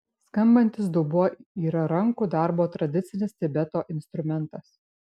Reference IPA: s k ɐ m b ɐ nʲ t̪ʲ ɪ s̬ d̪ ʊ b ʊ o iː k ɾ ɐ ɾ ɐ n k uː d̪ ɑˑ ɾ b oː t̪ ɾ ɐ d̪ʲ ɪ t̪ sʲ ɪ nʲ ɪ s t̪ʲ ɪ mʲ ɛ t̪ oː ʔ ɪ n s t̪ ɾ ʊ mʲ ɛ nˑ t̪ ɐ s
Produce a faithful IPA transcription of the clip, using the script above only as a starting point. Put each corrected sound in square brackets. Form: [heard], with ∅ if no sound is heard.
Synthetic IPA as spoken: s k ɐ m b ɐ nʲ t̪ʲ ɪ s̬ d̪ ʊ b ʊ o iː [∅] ɾ ɐ ɾ ɐ [ŋ] k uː d̪ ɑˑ ɾ b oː t̪ ɾ ɐ d̪ʲ ɪ t̪ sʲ ɪ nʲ ɪ s t̪ʲ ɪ [bʲ] ɛ t̪ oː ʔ ɪ n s t̪ ɾ ʊ mʲ ɛ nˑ t̪ ɐ s